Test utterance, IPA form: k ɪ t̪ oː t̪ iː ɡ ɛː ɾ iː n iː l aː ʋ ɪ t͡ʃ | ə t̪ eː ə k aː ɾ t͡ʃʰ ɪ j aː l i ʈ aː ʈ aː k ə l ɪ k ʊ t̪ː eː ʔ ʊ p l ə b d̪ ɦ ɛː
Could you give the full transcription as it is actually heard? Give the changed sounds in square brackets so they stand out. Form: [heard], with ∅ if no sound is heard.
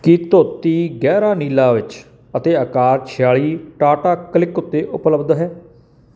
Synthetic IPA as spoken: k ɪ t̪ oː t̪ iː ɡ ɛː ɾ [aː] n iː l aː ʋ ɪ t͡ʃ | ə t̪ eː ə k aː ɾ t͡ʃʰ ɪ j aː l [iː] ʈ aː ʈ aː k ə l ɪ k ʊ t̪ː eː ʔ ʊ p l ə b d̪ ɦ ɛː

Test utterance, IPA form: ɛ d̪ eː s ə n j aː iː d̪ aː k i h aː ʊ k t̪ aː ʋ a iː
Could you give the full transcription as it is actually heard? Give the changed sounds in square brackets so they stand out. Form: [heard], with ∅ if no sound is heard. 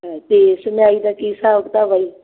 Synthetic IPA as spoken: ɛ [t̪] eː s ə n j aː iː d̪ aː k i [s] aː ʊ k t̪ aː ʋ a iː

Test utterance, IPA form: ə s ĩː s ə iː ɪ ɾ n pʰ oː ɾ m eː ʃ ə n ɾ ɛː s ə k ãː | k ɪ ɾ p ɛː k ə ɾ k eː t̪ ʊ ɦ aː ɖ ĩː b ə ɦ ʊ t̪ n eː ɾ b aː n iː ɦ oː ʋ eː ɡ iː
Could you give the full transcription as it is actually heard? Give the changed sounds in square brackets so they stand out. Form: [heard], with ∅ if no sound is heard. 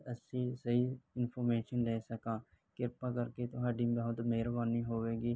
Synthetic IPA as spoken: ə s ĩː s ə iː ɪ [∅] n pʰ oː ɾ m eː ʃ ə n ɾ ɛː s ə k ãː | k ɪ ɾ p [aː] k ə ɾ k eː t̪ ʊ ɦ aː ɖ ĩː b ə ɦ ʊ t̪ [m] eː ɾ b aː n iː ɦ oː ʋ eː ɡ iː

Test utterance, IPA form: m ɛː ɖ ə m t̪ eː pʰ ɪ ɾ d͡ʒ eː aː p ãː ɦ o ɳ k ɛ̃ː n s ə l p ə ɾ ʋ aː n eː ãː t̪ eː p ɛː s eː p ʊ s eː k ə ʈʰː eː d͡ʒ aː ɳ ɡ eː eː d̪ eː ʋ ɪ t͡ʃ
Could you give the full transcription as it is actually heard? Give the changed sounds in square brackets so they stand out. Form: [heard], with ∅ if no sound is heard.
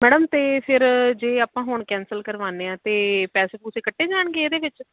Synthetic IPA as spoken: m ɛː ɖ ə m t̪ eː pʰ ɪ ɾ d͡ʒ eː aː p ãː ɦ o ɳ k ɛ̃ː n s ə l [k] ə ɾ ʋ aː n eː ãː t̪ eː p ɛː s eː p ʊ s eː k ə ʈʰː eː d͡ʒ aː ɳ ɡ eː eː d̪ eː ʋ ɪ t͡ʃ

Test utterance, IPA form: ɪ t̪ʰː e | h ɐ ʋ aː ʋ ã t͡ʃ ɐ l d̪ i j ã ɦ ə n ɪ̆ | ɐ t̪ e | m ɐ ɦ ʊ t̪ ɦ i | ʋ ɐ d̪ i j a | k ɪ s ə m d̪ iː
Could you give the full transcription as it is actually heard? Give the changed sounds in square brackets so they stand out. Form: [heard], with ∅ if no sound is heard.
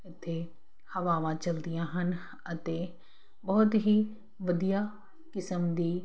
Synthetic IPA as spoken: ɪ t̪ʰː e | h ɐ ʋ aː ʋ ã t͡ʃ ɐ l d̪ i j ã ɦ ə n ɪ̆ | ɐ t̪ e | [b] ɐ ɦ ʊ t̪ ɦ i | ʋ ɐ d̪ i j a | k ɪ s ə m d̪ iː

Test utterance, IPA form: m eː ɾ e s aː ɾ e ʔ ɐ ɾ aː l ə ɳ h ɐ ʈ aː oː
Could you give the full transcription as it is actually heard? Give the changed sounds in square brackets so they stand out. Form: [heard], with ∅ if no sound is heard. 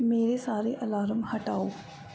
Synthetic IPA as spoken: m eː ɾ e s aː ɾ e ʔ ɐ [l] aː [ɾ] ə [m] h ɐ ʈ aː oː

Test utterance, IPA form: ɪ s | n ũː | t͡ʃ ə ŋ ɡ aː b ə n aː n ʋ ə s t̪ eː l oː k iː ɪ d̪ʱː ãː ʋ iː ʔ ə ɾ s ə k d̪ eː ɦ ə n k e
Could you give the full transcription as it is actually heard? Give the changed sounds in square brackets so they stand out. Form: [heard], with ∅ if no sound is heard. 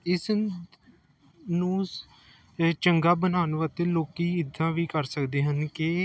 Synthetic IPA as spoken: ɪ s | n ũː | t͡ʃ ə ŋ ɡ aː b ə n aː n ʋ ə [∅] t̪ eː l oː k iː ɪ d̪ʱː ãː ʋ iː [k] ə ɾ s ə k d̪ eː ɦ ə n k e

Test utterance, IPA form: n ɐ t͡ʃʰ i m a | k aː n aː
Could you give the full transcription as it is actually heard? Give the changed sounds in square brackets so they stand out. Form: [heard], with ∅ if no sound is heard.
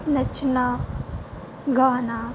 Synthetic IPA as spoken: n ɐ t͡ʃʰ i [n] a | [ɡ] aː n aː

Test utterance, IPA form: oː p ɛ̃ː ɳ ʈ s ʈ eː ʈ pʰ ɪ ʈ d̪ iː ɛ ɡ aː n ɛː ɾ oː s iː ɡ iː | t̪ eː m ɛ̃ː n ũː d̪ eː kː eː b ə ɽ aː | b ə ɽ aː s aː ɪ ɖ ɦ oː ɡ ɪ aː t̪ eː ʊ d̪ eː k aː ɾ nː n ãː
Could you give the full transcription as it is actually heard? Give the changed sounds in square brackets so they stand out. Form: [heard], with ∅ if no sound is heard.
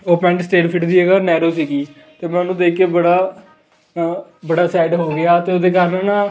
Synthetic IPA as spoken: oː p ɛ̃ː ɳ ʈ s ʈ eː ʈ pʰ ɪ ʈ d̪ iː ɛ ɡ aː n ɛː ɾ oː s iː ɡ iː | t̪ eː m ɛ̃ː n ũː d̪ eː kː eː b ə ɽ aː | b ə ɽ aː s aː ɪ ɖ ɦ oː ɡ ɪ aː t̪ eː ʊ d̪ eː k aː ɾ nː n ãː

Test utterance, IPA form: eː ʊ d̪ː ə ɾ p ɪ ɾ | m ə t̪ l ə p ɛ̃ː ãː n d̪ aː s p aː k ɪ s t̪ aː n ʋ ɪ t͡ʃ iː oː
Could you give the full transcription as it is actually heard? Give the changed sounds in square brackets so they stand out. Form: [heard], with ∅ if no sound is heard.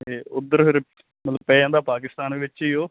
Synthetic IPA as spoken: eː ʊ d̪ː ə ɾ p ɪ ɾ | m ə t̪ l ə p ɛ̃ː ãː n d̪ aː [∅] p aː k ɪ s t̪ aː n ʋ ɪ t͡ʃ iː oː

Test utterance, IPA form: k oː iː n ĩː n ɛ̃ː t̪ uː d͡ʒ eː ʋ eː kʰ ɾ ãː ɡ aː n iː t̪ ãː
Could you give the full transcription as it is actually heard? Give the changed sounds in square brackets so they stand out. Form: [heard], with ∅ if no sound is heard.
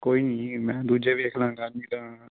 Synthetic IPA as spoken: k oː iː n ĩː [m] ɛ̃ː [d̪] uː d͡ʒ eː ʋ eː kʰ [l] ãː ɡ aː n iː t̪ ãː

